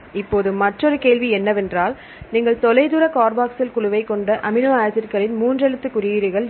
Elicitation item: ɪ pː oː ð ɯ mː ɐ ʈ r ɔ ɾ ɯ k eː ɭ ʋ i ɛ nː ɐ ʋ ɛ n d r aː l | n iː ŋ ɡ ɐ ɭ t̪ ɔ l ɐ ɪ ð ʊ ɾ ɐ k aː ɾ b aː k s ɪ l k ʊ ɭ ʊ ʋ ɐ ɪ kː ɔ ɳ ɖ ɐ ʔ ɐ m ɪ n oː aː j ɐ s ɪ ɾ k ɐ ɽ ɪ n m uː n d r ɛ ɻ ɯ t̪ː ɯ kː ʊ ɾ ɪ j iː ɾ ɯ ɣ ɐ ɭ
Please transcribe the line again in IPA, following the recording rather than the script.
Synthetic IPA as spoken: ɪ pː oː ð ɯ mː ɐ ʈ r ɔ ɾ ɯ k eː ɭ ʋ i ɛ nː ɐ ʋ ɛ n d r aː l | n iː ŋ ɡ ɐ ɭ t̪ ɔ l ɐ ɪ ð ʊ ɾ ɐ k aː ɾ b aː k s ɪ l k ʊ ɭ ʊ ʋ ɐ ɪ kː ɔ ɳ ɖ ɐ ʔ ɐ m ɪ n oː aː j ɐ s ɪ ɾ k ɐ ɭ ɪ n m uː n d r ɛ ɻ ɯ t̪ː ɯ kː ʊ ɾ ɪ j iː ɾ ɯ ɣ ɐ ɭ